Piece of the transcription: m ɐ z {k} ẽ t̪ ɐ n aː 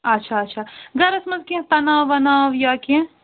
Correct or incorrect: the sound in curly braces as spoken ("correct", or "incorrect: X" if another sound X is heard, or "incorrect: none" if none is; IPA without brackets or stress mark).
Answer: correct